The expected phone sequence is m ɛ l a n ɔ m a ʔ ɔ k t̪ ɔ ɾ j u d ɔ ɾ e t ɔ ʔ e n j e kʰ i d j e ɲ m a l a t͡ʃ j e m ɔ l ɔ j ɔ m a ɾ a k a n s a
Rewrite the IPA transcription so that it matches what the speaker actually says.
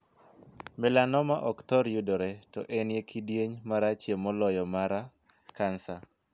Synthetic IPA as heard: m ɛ l a n ɔ m a ʔ ɔ k t̪ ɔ ɾ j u d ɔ ɾ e t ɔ ʔ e n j e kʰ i d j e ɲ m a ɾ a t͡ʃ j e m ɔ l ɔ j ɔ m a ɾ a k a n s a